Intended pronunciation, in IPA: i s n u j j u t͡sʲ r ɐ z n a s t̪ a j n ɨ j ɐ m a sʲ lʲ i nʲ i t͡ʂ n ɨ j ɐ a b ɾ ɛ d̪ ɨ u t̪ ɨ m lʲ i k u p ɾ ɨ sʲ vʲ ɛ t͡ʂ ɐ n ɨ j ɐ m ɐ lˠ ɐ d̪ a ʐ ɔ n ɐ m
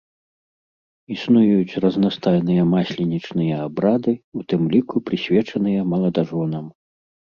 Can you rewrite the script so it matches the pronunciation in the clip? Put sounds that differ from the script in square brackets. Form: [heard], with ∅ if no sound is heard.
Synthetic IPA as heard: i s n u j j u t͡sʲ r ɐ z n a s t̪ a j n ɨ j ɐ m a sʲ lʲ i nʲ i t͡ʂ n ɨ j ɐ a b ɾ [a] d̪ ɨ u t̪ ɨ m lʲ i k u p ɾ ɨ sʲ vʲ ɛ t͡ʂ ɐ n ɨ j ɐ m ɐ lˠ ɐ d̪ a ʐ ɔ n ɐ m